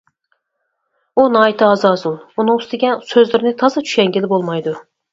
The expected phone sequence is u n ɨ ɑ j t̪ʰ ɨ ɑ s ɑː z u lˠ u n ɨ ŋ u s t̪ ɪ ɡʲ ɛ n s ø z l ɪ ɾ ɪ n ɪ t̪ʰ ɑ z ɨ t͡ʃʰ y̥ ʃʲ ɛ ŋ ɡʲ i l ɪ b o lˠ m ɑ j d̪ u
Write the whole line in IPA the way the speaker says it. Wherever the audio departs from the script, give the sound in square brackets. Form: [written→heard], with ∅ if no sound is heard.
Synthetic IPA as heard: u n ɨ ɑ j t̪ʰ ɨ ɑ [s→z] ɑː z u lˠ u n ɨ ŋ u s t̪ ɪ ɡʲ ɛ n s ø z l ɪ ɾ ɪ n ɪ t̪ʰ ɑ z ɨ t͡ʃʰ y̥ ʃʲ ɛ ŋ ɡʲ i l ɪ b o lˠ m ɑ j d̪ u